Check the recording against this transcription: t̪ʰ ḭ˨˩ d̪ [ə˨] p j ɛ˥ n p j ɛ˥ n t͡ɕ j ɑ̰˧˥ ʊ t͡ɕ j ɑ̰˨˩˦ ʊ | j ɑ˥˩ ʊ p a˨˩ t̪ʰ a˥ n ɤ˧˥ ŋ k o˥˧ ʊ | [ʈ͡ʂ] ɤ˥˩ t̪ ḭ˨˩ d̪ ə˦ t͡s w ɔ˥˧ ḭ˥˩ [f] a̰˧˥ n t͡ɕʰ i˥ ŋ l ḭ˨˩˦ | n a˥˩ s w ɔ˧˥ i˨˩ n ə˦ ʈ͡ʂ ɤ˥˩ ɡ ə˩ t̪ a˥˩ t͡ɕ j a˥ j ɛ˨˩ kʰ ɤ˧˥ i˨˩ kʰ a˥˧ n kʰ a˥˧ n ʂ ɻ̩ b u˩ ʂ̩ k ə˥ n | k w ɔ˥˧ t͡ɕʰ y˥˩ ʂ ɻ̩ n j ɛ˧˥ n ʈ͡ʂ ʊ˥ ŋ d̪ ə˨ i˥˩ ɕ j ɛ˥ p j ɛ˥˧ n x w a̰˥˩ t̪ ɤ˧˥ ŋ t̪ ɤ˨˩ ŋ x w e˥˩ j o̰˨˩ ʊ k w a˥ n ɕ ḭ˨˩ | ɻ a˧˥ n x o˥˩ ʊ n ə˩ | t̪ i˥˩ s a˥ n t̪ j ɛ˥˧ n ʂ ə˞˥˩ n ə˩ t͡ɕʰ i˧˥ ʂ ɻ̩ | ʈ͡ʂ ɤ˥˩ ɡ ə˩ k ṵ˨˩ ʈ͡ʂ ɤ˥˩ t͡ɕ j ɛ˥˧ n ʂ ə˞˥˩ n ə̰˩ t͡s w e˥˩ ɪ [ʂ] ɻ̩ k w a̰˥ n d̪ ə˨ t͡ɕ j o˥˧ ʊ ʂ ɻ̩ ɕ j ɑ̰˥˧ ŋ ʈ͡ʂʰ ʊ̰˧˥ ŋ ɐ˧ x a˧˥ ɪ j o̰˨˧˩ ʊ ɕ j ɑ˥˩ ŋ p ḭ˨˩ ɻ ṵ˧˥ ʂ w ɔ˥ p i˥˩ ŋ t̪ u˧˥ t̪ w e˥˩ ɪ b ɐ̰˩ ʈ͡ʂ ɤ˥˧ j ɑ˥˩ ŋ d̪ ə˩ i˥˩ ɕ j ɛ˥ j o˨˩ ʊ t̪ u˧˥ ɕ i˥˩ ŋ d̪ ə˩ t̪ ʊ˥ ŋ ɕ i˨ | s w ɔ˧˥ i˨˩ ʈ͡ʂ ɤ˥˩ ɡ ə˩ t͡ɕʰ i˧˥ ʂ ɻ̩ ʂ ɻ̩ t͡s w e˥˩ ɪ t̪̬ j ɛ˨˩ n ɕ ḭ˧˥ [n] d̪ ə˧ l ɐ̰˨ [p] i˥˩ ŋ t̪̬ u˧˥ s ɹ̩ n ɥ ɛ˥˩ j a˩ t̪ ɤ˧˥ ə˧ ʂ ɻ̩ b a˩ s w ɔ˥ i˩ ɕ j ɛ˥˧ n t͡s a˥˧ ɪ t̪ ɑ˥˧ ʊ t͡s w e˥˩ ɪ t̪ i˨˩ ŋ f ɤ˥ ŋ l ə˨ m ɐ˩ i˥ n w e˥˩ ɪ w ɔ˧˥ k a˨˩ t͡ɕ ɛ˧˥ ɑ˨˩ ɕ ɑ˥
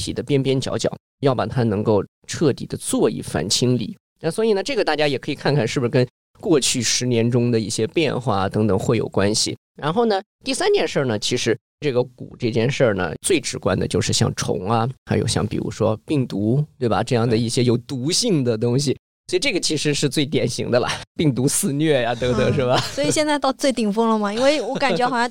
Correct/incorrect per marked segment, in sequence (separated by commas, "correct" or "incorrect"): incorrect, incorrect, correct, incorrect, incorrect, correct